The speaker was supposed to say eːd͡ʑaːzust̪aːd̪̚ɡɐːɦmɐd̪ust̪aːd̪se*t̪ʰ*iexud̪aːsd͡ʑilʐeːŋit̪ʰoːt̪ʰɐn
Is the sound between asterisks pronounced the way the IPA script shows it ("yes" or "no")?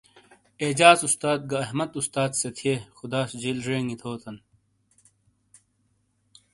yes